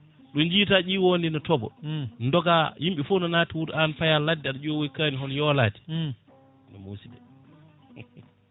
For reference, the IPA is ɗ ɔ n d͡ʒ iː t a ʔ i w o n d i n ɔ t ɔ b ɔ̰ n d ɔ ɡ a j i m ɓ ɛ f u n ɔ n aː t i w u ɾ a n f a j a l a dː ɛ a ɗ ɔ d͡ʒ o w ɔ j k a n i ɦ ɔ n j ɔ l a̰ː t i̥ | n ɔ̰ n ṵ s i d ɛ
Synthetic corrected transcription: ɗ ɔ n d͡ʒ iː t a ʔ i w o n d i n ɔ t ɔ b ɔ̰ n d ɔ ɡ a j i m ɓ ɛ f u n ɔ n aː t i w u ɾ a n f a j a l a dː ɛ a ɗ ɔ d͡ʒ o w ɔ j k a n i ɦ ɔ n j ɔ l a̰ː t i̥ | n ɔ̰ m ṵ s i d ɛ